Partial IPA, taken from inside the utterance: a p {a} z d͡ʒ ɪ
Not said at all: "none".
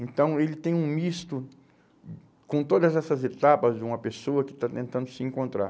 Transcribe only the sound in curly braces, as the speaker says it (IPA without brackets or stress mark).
ɐ